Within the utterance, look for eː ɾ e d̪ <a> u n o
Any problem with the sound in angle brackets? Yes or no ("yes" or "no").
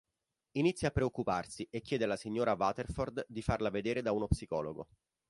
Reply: no